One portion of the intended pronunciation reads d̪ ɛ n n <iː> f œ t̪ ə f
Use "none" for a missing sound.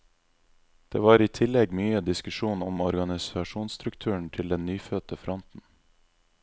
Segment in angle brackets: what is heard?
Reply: yː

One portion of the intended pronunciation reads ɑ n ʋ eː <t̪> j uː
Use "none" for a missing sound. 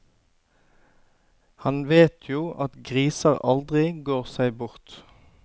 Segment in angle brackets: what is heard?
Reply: t̪ʰ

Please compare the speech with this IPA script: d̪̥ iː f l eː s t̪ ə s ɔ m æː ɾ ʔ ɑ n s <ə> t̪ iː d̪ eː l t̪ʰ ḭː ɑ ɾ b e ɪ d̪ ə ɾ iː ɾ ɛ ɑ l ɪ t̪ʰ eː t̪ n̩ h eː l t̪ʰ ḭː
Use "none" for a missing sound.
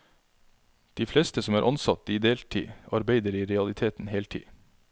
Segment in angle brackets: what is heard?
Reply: ɑ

